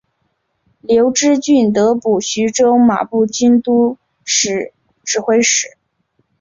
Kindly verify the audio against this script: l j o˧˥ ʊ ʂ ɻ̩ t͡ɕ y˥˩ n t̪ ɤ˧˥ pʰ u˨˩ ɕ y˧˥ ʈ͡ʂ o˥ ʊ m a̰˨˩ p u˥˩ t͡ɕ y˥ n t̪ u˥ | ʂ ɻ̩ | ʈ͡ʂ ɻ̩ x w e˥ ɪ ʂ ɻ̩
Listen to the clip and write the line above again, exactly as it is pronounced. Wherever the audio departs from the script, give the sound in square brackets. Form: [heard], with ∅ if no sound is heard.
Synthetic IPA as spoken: l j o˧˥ ʊ [ʈ͡ʂ] ɻ̩ t͡ɕ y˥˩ n t̪ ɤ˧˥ [p] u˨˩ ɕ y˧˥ ʈ͡ʂ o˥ ʊ m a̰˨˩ p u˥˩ t͡ɕ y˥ n t̪ u˥ | ʂ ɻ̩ | ʈ͡ʂ ɻ̩ x w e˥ ɪ ʂ ɻ̩